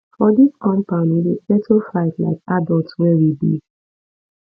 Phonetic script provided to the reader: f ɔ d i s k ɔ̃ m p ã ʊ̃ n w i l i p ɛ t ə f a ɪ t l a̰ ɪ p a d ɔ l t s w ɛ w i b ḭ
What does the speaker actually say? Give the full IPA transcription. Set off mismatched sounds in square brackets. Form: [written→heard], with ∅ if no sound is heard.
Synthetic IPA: f ɔ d i s k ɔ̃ m p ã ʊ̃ n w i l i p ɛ t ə f a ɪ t l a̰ ɪ [p→k] a d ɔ l t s w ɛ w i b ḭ